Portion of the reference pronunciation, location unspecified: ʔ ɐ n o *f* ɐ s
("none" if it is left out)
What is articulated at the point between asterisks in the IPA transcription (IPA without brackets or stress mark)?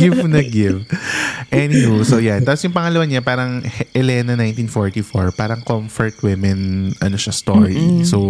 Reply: ʃ